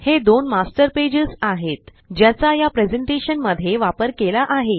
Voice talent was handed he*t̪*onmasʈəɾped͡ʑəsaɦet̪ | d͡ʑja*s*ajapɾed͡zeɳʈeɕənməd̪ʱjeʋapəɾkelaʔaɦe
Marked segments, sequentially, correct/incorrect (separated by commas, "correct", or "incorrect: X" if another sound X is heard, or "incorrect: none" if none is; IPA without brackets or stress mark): incorrect: d̪, incorrect: t͡s